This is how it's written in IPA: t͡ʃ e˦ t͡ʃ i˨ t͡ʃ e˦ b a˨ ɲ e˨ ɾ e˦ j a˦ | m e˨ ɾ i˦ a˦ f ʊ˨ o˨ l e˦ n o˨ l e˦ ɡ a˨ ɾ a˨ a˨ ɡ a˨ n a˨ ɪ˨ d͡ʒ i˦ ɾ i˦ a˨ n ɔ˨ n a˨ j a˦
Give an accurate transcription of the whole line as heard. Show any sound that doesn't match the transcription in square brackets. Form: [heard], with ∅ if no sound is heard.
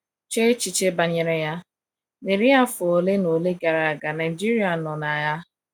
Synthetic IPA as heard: t͡ʃ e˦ t͡ʃ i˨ t͡ʃ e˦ b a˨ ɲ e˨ ɾ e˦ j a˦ | [n] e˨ ɾ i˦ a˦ f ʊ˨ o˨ l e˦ n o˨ l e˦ ɡ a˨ ɾ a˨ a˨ ɡ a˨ n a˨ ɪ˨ d͡ʒ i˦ ɾ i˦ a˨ n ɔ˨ n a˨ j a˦